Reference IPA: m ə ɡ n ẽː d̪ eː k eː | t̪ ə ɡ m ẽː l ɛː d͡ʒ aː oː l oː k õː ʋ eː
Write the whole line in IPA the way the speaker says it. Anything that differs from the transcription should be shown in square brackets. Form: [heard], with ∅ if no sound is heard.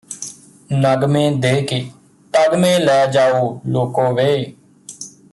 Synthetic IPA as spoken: [n] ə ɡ [m] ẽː d̪ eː k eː | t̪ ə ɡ m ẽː l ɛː d͡ʒ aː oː l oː k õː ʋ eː